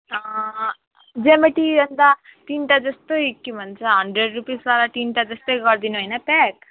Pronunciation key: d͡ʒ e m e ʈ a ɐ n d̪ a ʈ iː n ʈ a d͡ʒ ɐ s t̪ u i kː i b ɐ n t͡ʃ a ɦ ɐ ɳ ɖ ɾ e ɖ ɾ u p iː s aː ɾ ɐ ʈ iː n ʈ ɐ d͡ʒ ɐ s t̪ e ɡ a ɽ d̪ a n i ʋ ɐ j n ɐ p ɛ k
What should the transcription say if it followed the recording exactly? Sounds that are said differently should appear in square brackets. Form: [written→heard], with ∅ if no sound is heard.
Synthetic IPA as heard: d͡ʒ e m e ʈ [a→i] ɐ n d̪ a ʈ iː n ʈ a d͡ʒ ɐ s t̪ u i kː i [b→m] ɐ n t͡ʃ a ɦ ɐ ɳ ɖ ɾ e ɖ ɾ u p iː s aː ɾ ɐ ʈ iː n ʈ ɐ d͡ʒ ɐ s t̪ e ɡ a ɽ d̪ [a→i] n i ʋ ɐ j n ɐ p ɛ k